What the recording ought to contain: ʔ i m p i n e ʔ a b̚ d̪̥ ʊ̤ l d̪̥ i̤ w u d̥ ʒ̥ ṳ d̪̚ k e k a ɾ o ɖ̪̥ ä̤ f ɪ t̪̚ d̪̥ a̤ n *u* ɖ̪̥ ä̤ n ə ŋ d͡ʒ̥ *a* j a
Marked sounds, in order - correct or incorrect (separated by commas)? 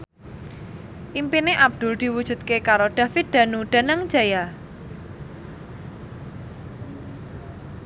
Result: correct, correct